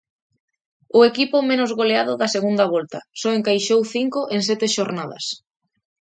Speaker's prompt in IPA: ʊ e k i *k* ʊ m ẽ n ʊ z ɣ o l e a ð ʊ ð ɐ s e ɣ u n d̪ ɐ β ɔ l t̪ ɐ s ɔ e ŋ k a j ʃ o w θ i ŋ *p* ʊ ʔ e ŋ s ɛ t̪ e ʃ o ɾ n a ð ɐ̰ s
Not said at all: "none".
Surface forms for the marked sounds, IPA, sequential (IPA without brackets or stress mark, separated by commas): p, k